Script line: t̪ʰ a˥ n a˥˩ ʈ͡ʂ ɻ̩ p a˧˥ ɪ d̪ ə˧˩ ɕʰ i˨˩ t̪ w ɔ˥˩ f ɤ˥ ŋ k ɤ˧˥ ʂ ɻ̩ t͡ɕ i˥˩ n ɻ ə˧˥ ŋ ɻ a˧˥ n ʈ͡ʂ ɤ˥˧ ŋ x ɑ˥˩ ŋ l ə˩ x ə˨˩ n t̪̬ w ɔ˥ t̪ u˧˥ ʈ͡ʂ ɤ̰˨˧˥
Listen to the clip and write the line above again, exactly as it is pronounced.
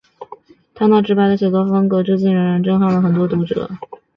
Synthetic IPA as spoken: t̪ʰ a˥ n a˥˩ ʈ͡ʂ ɻ̩ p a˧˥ ɪ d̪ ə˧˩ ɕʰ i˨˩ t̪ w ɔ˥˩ f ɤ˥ ŋ k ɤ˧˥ ʈ͡ʂ ɻ̩ t͡ɕ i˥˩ n ɻ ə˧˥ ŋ ɻ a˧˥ n ʈ͡ʂ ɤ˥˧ ŋ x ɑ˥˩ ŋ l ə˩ x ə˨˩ n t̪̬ w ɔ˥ t̪ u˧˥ ʈ͡ʂ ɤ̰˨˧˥